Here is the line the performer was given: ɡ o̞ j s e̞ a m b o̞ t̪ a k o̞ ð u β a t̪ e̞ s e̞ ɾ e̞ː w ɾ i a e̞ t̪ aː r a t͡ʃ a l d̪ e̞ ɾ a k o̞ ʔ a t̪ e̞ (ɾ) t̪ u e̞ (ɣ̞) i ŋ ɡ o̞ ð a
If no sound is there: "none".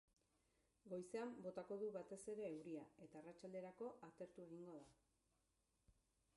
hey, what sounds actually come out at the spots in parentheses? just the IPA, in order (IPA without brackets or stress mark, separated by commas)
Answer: ɾ, ɣ̞